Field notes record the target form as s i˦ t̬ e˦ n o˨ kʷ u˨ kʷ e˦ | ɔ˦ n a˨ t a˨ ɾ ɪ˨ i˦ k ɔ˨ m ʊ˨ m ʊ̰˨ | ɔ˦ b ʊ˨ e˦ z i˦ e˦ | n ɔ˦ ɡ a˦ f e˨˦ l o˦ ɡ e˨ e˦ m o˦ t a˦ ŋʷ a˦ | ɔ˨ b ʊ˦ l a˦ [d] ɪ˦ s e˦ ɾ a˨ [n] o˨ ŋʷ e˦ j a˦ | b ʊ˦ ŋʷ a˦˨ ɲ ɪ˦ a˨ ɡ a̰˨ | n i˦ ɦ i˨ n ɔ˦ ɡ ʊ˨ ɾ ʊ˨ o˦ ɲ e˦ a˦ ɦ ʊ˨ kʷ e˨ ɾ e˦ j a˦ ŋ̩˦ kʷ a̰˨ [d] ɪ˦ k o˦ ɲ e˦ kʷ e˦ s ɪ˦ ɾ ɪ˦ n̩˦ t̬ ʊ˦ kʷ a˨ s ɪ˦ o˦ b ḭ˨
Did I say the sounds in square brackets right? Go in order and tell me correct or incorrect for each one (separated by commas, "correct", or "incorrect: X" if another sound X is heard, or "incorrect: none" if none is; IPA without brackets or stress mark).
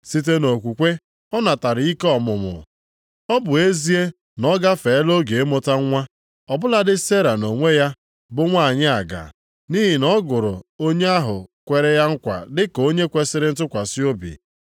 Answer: correct, correct, correct